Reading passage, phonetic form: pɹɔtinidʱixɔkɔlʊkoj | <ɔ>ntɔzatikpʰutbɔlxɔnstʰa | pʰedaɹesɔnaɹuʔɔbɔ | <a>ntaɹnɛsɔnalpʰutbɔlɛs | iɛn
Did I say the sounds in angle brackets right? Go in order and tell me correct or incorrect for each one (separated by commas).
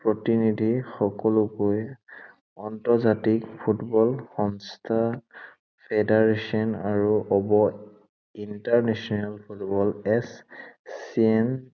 correct, incorrect